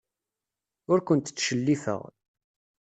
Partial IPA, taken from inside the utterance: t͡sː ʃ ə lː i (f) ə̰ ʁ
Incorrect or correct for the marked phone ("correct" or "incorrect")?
correct